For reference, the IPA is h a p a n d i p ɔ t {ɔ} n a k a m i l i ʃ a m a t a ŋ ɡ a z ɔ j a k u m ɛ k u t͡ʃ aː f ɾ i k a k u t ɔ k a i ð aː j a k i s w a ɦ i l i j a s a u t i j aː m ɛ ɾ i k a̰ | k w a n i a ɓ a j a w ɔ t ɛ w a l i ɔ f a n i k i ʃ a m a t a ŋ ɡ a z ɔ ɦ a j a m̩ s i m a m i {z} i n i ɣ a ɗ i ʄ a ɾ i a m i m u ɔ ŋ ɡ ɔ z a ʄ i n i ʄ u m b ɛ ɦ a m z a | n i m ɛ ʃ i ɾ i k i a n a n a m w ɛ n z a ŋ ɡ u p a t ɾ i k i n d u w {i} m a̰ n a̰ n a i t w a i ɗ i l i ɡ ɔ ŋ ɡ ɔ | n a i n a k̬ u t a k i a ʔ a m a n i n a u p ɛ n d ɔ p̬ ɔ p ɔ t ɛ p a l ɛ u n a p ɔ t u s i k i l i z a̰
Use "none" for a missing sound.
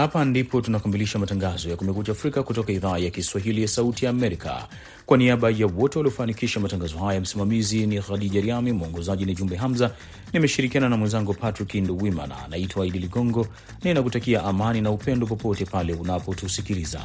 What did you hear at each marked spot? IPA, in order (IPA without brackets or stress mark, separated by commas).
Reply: u, z, i